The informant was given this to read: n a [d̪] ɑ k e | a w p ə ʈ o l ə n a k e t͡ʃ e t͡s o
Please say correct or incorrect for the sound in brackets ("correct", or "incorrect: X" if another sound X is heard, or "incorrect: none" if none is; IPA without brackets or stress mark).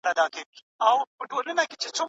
correct